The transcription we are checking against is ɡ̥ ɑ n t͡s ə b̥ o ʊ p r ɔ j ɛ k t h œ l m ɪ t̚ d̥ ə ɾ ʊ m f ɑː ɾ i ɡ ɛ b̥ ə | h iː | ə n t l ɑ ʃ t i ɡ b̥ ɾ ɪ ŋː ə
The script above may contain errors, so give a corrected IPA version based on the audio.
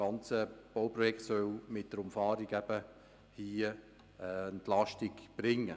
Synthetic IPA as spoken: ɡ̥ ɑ n t͡s ə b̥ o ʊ p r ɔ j ɛ k t s œ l m ɪ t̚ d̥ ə ɾ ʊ m f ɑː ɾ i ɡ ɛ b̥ ə | h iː | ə n t l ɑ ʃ t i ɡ b̥ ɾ ɪ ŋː ə